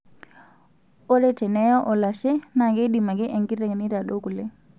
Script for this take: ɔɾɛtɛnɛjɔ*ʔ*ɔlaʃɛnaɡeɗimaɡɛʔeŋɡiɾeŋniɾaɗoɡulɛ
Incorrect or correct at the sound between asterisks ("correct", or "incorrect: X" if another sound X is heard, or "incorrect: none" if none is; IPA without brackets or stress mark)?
correct